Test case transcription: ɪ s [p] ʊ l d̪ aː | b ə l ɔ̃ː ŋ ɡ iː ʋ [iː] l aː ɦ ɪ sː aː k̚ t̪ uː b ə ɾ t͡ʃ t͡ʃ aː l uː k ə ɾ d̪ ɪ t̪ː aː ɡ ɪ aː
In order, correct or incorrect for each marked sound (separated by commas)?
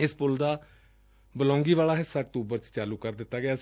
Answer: correct, incorrect